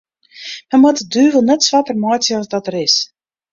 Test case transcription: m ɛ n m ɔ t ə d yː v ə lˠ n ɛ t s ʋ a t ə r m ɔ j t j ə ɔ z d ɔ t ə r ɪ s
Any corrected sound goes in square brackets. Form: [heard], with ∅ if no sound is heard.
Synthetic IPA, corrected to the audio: m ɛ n m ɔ t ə d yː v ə lˠ n ɛ t s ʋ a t ə r m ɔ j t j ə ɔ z d ɔ t ə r ɪ s